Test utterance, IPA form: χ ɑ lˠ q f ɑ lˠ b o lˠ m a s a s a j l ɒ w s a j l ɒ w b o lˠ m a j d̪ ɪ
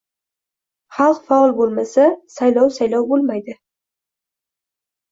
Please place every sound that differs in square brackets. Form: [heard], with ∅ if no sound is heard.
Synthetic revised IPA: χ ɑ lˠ q f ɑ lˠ b o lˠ m a s a s a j l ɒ w s a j l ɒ w b o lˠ m a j d̪ ɪ